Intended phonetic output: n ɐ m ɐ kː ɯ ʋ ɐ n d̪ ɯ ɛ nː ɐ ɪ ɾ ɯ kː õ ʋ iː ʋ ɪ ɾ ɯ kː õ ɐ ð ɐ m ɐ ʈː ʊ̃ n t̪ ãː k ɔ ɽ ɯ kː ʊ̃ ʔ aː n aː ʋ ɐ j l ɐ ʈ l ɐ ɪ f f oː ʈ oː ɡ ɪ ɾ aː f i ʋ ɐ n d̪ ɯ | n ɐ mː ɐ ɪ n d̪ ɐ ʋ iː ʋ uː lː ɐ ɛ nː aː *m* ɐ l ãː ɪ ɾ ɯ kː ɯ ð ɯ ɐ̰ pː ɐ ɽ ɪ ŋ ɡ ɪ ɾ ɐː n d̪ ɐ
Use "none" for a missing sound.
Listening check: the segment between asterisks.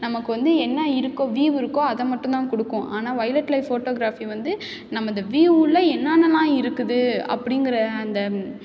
n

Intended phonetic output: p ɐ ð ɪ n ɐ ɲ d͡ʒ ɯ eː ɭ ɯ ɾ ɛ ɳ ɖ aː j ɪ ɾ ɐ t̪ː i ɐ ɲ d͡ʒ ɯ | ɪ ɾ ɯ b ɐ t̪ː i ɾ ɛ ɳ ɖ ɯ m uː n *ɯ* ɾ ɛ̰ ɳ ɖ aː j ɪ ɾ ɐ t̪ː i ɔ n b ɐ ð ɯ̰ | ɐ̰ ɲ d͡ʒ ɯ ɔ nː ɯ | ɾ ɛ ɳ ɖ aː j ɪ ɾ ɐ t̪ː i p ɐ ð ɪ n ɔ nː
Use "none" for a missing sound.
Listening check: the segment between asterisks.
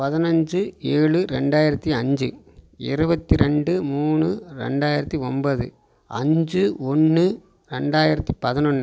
ɯ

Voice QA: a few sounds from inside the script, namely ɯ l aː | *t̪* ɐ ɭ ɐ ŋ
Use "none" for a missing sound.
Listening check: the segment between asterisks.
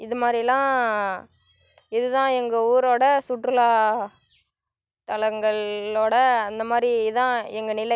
t̪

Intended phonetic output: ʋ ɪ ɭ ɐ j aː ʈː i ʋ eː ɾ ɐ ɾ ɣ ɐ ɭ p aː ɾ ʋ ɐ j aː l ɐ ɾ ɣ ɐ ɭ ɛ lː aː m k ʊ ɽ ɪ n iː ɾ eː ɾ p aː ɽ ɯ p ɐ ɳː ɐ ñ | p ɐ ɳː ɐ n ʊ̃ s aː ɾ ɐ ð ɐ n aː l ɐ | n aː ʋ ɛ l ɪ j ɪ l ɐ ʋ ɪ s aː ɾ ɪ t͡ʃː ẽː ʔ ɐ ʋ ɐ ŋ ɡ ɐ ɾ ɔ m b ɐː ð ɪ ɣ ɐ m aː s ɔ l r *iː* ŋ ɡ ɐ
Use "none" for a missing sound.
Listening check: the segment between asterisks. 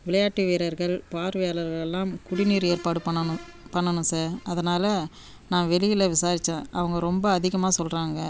aː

